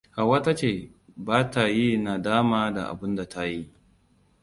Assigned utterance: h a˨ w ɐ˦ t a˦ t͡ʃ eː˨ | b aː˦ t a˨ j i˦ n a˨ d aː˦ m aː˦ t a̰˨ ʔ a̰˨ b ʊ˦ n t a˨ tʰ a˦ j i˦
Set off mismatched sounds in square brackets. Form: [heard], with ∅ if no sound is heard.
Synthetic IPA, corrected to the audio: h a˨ w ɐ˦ t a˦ t͡ʃ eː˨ | b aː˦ t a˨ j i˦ n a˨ d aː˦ m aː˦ [d] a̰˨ ʔ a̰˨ b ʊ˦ n [d] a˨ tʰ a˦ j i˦

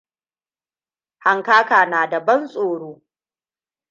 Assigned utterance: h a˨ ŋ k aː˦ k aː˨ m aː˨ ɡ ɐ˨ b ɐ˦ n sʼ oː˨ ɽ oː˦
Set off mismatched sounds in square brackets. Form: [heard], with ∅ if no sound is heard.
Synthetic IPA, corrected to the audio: h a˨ ŋ k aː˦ k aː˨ [n] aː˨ [d] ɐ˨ b ɐ˦ n sʼ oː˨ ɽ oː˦

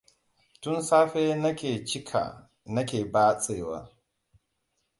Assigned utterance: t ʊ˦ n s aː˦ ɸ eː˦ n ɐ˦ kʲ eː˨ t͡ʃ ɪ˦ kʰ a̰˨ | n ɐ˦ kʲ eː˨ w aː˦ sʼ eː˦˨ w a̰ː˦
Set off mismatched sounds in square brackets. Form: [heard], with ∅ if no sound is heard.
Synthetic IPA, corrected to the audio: t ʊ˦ n s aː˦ ɸ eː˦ n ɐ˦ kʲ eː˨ t͡ʃ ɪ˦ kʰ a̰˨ | n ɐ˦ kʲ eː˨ [b] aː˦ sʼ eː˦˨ w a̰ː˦

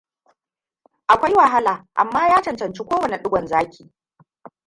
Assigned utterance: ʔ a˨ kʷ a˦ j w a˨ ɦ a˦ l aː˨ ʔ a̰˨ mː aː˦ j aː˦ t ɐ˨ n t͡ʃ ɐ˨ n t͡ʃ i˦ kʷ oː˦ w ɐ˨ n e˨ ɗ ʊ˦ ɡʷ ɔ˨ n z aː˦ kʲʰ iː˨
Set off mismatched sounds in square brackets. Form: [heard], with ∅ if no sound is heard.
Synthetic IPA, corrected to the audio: ʔ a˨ kʷ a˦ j w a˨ ɦ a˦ l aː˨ ʔ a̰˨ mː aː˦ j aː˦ [t͡ʃ] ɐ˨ n t͡ʃ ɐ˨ n t͡ʃ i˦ kʷ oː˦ w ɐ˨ n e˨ ɗ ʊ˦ ɡʷ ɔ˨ n z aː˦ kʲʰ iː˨

